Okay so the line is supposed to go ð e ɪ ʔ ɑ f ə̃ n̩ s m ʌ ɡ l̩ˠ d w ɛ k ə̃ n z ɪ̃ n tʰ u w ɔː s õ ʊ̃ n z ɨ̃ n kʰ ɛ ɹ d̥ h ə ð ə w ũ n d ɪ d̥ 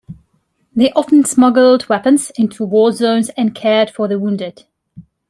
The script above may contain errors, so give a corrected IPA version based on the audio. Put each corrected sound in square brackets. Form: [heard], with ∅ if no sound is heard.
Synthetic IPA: ð e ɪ ʔ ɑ f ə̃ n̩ s m ʌ ɡ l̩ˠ d w ɛ [p] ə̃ n z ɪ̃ n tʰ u w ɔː [z] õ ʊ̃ n z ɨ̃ n kʰ ɛ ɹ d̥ [f] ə ð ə w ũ n d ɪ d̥